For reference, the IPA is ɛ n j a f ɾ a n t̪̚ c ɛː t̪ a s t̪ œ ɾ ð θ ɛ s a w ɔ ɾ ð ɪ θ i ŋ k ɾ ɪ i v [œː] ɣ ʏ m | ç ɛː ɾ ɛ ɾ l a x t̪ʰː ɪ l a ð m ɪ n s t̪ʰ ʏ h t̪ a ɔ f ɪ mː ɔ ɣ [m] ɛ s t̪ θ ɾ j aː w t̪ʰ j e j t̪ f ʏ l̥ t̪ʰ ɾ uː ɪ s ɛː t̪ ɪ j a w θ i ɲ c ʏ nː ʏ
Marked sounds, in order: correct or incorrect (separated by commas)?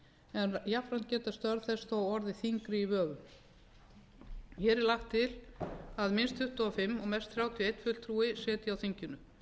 correct, correct